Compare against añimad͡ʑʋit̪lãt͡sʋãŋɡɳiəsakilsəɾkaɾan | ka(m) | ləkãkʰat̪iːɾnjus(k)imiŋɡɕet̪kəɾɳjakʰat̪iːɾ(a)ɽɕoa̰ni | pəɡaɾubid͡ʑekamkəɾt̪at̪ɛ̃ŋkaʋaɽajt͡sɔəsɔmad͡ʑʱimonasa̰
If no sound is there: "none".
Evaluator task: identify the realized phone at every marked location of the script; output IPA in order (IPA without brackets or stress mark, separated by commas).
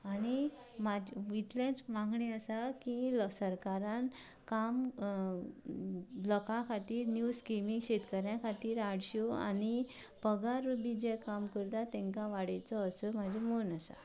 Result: m, k, a